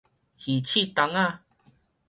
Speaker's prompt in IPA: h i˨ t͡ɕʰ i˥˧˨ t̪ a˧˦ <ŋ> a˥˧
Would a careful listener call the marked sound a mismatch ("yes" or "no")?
no